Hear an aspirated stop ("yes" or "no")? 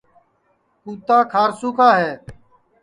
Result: yes